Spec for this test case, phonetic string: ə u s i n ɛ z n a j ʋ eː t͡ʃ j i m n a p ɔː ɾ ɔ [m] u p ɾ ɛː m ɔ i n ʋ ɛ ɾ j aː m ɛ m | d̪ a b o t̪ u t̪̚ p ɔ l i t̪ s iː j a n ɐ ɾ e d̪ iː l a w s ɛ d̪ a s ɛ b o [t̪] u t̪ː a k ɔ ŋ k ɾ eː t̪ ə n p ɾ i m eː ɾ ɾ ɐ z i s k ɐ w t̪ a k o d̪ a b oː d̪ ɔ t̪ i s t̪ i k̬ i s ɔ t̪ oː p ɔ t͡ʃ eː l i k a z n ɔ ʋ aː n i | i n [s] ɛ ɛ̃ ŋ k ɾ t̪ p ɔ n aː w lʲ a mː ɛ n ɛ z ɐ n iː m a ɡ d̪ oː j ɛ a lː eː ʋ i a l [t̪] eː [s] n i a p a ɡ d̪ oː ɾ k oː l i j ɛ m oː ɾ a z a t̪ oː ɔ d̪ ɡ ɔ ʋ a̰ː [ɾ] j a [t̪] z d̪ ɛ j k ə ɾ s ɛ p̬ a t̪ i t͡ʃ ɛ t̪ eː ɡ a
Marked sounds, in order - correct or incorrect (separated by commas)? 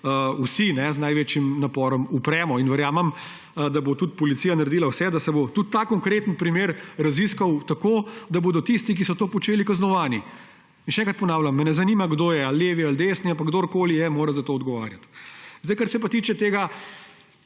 correct, correct, incorrect, incorrect, correct, correct, correct